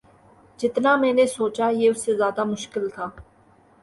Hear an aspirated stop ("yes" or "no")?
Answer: yes